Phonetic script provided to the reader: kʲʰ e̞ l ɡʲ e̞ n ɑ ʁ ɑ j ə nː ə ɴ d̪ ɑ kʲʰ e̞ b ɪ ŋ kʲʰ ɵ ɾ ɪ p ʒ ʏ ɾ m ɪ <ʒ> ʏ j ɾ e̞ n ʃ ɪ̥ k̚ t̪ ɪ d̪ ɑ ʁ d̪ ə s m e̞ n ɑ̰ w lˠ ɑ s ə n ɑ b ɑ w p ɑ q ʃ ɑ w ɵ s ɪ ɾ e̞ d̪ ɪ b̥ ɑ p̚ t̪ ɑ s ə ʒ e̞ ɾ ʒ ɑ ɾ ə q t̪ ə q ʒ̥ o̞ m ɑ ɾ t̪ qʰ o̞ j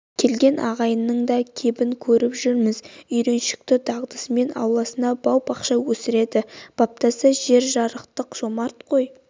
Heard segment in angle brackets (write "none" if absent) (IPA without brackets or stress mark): z